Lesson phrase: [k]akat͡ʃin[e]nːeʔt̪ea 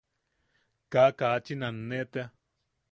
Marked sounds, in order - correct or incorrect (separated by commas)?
correct, incorrect